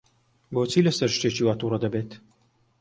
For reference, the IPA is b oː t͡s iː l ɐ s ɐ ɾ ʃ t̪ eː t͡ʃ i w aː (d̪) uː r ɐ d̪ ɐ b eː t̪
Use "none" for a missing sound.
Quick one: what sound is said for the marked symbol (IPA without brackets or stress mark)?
t̪